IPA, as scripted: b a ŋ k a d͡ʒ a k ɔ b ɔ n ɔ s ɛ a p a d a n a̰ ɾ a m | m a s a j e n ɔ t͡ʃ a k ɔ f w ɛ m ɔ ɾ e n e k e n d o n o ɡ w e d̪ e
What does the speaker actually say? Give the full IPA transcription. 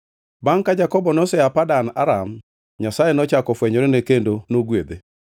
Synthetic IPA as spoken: b a ŋ k a d͡ʒ a k ɔ b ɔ n ɔ s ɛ a p a d a n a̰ ɾ a m | ɲ a s a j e n ɔ t͡ʃ a k ɔ f w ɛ ɲ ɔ ɾ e n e k e n d o n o ɡ w e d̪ e